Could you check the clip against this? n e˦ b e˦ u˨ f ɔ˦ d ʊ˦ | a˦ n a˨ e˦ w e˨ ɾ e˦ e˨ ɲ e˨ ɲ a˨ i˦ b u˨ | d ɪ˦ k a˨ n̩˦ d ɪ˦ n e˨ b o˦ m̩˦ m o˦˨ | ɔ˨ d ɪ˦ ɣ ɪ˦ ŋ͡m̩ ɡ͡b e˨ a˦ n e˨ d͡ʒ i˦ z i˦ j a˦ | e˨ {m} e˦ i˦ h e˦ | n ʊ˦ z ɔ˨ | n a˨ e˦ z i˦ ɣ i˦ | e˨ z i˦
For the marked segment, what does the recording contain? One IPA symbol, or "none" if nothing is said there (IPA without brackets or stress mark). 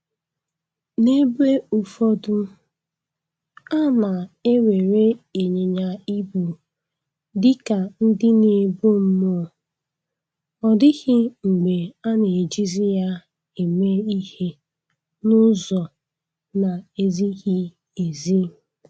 m